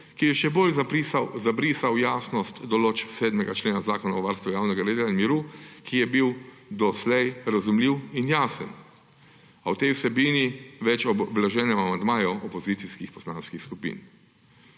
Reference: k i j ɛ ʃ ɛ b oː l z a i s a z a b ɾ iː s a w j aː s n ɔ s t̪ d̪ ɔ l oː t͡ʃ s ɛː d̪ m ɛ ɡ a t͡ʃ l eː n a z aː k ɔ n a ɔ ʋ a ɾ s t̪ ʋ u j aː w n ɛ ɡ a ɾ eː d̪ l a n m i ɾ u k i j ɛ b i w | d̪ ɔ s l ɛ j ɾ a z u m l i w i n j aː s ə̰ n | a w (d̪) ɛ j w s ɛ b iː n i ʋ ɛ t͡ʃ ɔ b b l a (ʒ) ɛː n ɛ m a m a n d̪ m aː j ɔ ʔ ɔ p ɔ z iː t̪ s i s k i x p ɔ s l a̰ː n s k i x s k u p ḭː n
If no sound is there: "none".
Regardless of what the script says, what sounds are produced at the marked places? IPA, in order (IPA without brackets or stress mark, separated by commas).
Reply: t̪, ʒ